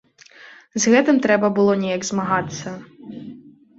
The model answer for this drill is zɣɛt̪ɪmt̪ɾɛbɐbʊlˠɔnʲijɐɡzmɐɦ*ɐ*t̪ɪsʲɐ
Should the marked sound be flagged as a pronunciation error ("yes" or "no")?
yes